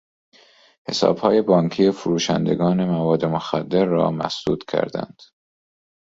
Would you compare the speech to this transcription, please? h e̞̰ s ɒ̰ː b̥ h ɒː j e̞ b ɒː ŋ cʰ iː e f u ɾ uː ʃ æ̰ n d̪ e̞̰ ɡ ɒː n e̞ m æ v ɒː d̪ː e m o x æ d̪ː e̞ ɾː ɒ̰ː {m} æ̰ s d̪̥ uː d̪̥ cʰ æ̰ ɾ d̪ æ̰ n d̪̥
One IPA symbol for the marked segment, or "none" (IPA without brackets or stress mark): m